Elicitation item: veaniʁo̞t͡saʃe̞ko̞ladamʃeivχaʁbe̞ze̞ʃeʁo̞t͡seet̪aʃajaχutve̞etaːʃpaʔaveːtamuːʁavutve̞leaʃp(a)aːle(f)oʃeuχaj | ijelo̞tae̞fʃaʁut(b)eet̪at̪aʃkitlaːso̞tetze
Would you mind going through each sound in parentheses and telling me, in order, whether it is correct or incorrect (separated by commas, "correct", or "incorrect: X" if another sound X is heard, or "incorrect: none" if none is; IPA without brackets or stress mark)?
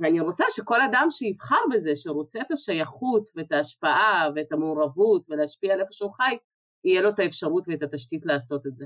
incorrect: i, correct, incorrect: v